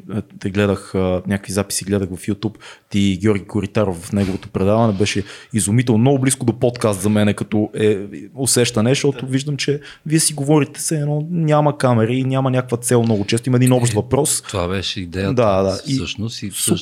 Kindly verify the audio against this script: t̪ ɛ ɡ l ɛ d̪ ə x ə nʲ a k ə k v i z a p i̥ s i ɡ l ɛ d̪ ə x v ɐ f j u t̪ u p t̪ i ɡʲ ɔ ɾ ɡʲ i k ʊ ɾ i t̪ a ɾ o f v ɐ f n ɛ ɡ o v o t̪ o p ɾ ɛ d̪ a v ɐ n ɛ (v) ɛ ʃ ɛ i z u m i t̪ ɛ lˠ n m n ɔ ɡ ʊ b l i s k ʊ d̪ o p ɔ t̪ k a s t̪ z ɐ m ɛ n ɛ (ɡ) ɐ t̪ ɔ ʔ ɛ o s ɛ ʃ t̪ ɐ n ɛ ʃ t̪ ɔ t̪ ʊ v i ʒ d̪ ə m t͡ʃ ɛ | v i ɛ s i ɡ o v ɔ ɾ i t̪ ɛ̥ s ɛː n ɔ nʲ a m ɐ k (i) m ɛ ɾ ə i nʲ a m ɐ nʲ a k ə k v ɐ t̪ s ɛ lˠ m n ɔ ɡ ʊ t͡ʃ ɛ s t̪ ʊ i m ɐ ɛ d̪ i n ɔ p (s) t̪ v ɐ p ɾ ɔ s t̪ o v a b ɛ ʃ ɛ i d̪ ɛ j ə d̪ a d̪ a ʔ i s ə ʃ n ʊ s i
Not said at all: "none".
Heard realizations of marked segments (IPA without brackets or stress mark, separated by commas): b, k, a, ʃ